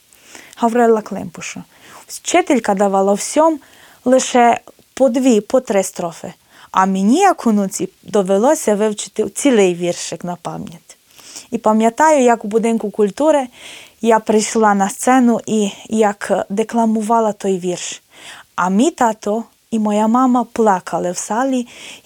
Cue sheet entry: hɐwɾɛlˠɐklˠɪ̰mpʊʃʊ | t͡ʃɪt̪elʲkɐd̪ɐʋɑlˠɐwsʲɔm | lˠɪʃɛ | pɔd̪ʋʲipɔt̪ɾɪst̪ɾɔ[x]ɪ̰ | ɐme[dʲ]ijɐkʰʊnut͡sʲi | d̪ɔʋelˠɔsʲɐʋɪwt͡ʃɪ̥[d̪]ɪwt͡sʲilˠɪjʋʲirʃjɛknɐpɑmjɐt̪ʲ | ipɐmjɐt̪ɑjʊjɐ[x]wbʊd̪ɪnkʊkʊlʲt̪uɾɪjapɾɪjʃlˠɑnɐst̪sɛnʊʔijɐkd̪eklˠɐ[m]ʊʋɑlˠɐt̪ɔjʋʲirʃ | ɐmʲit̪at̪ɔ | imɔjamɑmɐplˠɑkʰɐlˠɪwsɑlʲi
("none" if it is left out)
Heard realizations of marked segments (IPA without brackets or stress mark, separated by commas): f, nʲ, t̪, k, m